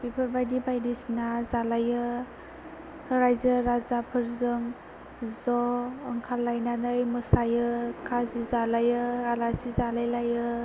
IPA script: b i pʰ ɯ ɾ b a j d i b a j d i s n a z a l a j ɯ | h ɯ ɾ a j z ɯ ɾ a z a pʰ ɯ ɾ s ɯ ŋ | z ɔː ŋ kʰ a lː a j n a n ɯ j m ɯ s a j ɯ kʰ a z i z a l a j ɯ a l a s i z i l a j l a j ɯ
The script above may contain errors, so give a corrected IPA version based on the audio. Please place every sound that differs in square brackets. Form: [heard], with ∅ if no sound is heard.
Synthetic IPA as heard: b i pʰ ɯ ɾ b a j d i b a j d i s n a z a l a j ɯ | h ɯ ɾ a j z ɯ ɾ a z a pʰ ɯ ɾ [z] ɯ ŋ | z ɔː ŋ kʰ a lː a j n a n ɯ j m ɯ s a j ɯ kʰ a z i z a l a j ɯ a l a s i z [a] l a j l a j ɯ